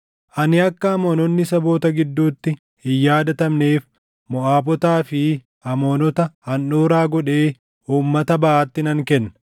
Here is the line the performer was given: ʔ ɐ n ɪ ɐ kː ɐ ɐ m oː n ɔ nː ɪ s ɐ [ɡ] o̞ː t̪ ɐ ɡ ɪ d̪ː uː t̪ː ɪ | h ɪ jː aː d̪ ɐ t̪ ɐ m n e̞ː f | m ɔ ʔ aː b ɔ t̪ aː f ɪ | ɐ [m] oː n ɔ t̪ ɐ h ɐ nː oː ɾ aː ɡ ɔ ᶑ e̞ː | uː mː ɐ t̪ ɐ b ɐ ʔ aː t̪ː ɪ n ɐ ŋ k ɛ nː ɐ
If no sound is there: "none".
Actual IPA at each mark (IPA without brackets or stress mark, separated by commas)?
b, m